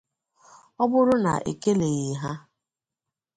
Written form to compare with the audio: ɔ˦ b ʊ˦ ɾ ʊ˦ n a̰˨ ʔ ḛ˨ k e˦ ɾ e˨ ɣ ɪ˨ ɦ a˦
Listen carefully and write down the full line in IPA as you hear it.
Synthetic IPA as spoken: ɔ˦ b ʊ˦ ɾ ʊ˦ n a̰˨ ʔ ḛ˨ k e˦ l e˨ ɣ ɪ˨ ɦ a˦